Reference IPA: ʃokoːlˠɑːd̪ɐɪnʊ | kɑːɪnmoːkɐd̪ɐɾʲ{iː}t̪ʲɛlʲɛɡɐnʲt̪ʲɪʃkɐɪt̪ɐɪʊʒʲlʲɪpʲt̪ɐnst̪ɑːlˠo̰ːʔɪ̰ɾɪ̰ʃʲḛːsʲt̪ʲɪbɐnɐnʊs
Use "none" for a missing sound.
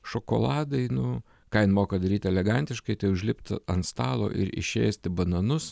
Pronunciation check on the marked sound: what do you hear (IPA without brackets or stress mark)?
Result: iː